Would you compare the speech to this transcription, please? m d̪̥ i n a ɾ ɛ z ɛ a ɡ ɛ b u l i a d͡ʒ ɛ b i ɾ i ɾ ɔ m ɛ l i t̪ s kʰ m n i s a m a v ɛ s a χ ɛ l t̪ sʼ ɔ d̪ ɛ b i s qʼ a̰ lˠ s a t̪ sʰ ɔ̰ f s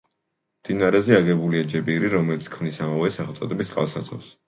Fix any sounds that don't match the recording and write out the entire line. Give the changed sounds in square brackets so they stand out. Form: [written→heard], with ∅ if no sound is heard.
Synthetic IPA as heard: m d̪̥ i n a ɾ ɛ z ɛ a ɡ ɛ b u l i a d͡ʒ ɛ b i ɾ i ɾ ɔ m ɛ l i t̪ s kʰ m n i s a m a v ɛ s a χ ɛ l t̪ sʼ ɔ d̪ ɛ b i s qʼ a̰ lˠ s a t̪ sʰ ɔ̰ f s